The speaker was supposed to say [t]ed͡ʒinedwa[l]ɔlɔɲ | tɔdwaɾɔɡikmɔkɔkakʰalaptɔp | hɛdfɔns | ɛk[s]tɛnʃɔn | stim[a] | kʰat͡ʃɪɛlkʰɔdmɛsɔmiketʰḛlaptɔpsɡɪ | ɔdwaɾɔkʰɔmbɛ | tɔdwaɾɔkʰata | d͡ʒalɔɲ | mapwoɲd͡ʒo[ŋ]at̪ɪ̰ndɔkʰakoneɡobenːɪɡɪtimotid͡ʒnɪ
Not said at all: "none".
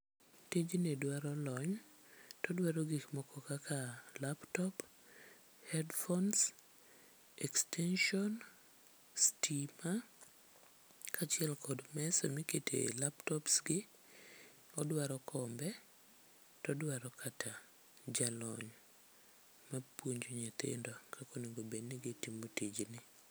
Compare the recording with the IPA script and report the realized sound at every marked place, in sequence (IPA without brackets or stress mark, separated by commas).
t, ɾ, s, a, ɲ